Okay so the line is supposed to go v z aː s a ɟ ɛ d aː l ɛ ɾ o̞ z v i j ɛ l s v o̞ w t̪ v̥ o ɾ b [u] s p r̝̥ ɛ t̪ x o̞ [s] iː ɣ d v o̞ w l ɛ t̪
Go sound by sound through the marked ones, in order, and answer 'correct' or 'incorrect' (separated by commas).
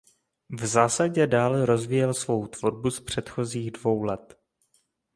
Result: correct, incorrect